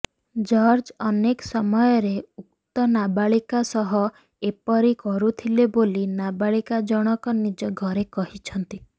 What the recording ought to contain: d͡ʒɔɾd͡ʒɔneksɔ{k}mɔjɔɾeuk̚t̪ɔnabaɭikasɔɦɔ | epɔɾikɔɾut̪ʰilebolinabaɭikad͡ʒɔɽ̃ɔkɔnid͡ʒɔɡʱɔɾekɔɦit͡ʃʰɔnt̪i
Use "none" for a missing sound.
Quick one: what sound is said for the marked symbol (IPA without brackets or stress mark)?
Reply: none